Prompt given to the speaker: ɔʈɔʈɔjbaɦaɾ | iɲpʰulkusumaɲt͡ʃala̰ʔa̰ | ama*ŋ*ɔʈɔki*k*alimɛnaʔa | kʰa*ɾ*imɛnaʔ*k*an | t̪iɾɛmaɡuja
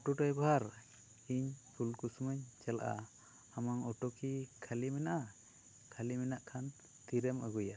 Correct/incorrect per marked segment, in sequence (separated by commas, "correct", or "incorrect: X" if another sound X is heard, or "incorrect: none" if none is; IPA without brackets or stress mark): correct, incorrect: kʰ, incorrect: l, incorrect: kʰ